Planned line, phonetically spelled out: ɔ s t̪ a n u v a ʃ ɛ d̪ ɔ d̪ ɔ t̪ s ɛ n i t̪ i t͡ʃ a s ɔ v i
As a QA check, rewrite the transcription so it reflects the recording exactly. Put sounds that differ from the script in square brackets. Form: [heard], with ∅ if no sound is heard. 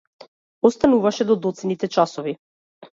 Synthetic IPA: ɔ s t̪ a n u v a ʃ ɛ d̪ ɔ d̪ ɔ t̪ s ɛ n i t̪ [ɛ] t͡ʃ a s ɔ v i